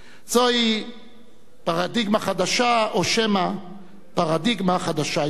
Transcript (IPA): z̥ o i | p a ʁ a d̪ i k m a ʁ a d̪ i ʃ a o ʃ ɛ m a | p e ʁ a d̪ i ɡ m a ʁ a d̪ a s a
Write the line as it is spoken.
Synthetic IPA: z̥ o i | p a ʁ a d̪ i ɡ m a χ a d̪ a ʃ a o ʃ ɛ m a | p a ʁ a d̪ i ɡ m a χ a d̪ a ʃ a